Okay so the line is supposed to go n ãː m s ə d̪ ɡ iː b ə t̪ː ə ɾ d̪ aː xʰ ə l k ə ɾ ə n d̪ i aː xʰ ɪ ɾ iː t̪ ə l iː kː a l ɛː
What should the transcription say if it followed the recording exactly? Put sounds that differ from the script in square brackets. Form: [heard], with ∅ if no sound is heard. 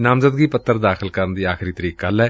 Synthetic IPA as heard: n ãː m [z] ə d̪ ɡ iː [p] ə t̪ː ə ɾ d̪ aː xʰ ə l k ə ɾ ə n d̪ [iː] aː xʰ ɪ ɾ iː t̪ ə [ɾ] iː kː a l ɛː